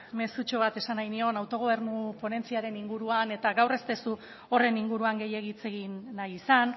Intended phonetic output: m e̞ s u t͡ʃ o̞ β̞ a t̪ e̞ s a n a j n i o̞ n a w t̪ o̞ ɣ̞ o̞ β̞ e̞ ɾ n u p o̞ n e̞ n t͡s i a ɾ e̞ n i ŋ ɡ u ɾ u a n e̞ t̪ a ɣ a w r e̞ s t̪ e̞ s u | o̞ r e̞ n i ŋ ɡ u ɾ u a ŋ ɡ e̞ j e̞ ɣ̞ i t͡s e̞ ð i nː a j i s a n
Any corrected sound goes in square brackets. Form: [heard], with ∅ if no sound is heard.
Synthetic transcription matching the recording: m e̞ s u t͡ʃ o̞ β̞ a t̪ e̞ s a n a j n i o̞ n a w t̪ o̞ ɣ̞ o̞ β̞ e̞ ɾ n u p o̞ n e̞ n t͡s i a ɾ e̞ n i ŋ ɡ u ɾ u a n e̞ t̪ a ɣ a w r e̞ s t̪ e̞ s u | o̞ r e̞ n i ŋ ɡ u ɾ u a ŋ ɡ e̞ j e̞ ɣ̞ i t͡s e̞ [ɣ] i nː a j i s a n

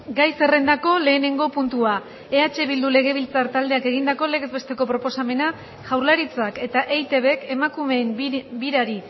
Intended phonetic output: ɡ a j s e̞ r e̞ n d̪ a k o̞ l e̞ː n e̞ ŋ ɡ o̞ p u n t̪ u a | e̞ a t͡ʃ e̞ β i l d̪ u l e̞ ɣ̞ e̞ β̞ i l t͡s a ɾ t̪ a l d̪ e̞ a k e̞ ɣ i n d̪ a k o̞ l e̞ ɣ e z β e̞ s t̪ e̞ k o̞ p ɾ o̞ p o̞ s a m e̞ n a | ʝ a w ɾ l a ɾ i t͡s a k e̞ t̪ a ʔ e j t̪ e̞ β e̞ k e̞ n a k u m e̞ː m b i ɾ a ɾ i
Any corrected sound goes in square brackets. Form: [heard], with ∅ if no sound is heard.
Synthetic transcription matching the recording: ɡ a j s e̞ r e̞ n d̪ a k o̞ l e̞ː n e̞ ŋ ɡ o̞ p u n t̪ u a | e̞ a t͡ʃ e̞ β i l d̪ u l e̞ ɣ̞ e̞ β̞ i l t͡s a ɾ t̪ a l d̪ e̞ a k e̞ ɣ i n d̪ a k o̞ l e̞ ɣ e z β e̞ s t̪ e̞ k o̞ p ɾ o̞ p o̞ s a m e̞ n a | ʝ a w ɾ l a ɾ i t͡s a k e̞ t̪ a ʔ e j t̪ e̞ β e̞ k e̞ [m] a k u m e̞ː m b i ɾ a ɾ i

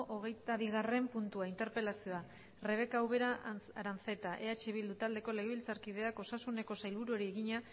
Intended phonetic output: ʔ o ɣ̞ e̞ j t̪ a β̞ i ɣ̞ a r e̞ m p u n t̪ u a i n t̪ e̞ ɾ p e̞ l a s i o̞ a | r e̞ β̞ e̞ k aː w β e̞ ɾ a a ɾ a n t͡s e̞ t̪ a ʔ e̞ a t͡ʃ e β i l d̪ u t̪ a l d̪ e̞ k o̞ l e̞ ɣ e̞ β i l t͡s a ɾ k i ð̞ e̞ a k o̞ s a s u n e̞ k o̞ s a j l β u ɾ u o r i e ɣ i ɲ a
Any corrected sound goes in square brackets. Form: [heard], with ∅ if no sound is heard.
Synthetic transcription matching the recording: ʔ o ɣ̞ e̞ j t̪ a β̞ i ɣ̞ a r e̞ m p u n t̪ u a i n t̪ e̞ ɾ p e̞ l a s i o̞ a | r e̞ β̞ e̞ k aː w β e̞ ɾ a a ɾ a n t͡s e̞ t̪ a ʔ e̞ a t͡ʃ e β i l d̪ u t̪ a l d̪ e̞ k o̞ l e̞ ɣ e̞ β i l t͡s a ɾ k i ð̞ e̞ a k o̞ s a s u n e̞ k o̞ s a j l β u ɾ u o [ɾ] i e ɣ i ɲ a

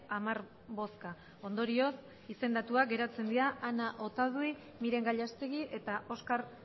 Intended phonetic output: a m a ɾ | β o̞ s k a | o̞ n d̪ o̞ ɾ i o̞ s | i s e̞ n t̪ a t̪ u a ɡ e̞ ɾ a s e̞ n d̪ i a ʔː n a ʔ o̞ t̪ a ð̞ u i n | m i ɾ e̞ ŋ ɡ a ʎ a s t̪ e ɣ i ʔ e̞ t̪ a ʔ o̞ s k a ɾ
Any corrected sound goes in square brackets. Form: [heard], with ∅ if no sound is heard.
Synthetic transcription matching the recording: a m a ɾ | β o̞ s k a | o̞ n d̪ o̞ ɾ i o̞ s | i s e̞ n [d̪] a t̪ u a ɡ e̞ ɾ a [t͡s] e̞ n d̪ i a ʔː n a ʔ o̞ t̪ a ð̞ u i [∅] | m i ɾ e̞ ŋ ɡ a ʎ a s t̪ e ɣ i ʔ e̞ t̪ a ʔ o̞ s k a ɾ

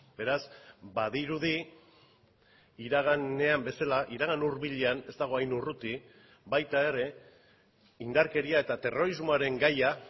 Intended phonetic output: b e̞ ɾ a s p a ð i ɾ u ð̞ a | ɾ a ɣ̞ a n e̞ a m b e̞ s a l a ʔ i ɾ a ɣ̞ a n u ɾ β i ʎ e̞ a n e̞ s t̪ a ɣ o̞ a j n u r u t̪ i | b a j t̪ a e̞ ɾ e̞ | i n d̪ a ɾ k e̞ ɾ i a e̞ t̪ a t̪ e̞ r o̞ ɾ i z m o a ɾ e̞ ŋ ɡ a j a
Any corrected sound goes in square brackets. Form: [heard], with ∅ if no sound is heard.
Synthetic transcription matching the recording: b e̞ ɾ a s [b] a ð i ɾ u ð̞ [i] | ɾ a ɣ̞ a n e̞ a m b e̞ s a l a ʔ i ɾ a ɣ̞ a n u ɾ β i ʎ e̞ a n e̞ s t̪ a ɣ o̞ a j n u r u t̪ i | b a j t̪ a e̞ ɾ e̞ | i n d̪ a ɾ k e̞ ɾ i a e̞ t̪ a t̪ e̞ r o̞ ɾ i z m o a ɾ e̞ ŋ ɡ a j a

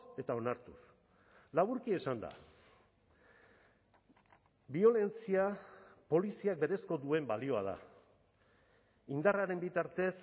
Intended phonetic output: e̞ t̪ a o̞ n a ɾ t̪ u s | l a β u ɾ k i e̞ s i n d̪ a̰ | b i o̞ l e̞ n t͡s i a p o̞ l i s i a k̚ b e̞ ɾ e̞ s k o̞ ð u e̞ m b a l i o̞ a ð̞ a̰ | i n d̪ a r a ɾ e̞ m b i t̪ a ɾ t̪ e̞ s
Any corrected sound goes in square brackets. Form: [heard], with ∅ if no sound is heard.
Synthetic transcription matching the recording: e̞ t̪ a o̞ n a ɾ t̪ u s | l a β u ɾ k i e̞ s [a] n d̪ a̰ | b i o̞ l e̞ n t͡s i a p o̞ l i s i a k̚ b e̞ ɾ e̞ s k o̞ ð u e̞ m b a l i o̞ a ð̞ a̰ | i n d̪ a r a ɾ e̞ m b i t̪ a ɾ t̪ e̞ s

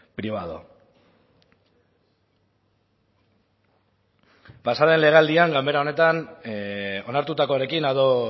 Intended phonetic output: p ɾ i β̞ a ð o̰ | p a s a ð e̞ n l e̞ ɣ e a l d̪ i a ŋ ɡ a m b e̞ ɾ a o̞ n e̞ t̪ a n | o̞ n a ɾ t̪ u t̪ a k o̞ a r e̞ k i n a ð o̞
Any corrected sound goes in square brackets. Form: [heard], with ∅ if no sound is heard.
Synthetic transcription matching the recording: p ɾ i β̞ a ð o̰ | p a s a ð e̞ n l e̞ ɣ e a l d̪ i a ŋ ɡ a m b e̞ ɾ a o̞ n e̞ t̪ a n | o̞ n a ɾ t̪ u t̪ a k o̞ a [ɾ] e̞ k i n a ð o̞

